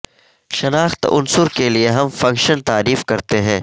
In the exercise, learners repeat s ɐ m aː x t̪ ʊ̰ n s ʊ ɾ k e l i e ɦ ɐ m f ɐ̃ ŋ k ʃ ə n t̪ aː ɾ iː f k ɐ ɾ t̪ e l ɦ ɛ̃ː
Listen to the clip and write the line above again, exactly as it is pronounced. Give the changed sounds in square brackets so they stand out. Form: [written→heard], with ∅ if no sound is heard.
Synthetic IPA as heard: [s→ʃ] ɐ [m→n] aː x t̪ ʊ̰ n s ʊ ɾ k e l i e ɦ ɐ m f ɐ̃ ŋ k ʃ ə n t̪ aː ɾ iː f k ɐ ɾ t̪ e [l→∅] ɦ ɛ̃ː